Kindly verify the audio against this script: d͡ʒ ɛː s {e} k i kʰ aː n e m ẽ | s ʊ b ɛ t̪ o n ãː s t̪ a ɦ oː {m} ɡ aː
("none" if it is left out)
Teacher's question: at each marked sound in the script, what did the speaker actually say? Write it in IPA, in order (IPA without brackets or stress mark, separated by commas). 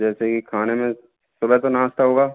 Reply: e, none